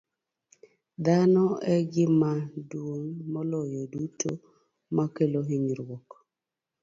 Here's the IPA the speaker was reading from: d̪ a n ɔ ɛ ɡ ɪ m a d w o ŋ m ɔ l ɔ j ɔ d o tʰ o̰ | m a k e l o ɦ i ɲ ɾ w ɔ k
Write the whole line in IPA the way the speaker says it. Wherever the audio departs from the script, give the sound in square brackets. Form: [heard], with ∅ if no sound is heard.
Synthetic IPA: d̪ a n ɔ ɛ ɡ ɪ m a d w o ŋ m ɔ l ɔ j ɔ d [u] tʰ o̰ | m a k e l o ɦ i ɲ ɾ w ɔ k